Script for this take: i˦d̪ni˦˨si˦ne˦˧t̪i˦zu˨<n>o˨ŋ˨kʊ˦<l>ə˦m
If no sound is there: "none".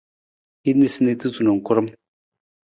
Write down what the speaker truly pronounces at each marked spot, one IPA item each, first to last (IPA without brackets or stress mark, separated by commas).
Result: n, ɾ